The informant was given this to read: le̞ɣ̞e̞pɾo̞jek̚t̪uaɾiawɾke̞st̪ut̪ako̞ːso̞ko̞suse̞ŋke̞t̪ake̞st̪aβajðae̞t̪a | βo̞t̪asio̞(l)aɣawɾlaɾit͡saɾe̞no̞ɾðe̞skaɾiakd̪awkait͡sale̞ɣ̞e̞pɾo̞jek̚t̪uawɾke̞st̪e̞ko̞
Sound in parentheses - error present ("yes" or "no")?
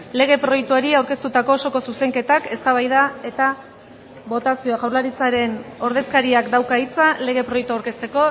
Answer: yes